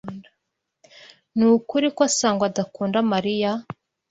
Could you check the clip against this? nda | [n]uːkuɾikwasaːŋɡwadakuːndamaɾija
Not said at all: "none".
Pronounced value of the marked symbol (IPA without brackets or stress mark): n